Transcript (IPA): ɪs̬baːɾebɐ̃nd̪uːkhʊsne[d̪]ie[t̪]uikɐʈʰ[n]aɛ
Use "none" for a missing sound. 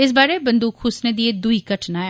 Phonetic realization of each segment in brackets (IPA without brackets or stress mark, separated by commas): d̪, d̪, n